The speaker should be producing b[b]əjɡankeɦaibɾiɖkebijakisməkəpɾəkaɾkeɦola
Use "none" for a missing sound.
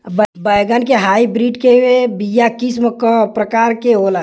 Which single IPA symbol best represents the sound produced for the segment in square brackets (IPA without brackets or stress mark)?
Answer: b